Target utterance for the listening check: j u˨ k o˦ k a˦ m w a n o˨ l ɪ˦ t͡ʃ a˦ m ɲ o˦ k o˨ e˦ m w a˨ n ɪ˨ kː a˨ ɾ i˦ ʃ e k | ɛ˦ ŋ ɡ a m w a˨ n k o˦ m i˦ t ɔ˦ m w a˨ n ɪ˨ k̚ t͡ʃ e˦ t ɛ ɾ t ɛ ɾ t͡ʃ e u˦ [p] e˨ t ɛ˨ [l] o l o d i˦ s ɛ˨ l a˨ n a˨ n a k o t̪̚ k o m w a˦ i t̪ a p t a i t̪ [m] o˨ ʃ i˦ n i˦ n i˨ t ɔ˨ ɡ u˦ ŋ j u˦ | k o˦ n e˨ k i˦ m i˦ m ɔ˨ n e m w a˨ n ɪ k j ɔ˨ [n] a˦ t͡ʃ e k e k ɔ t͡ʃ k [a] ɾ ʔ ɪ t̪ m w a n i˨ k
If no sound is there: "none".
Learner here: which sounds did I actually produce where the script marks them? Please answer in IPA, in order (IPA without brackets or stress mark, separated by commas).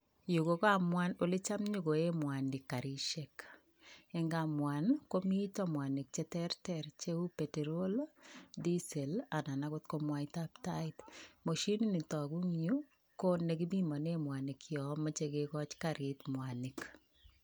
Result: p, ɾ, m, m, a